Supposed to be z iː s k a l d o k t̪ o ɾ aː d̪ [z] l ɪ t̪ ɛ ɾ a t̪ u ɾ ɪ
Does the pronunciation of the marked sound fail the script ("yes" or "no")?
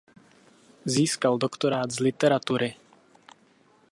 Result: no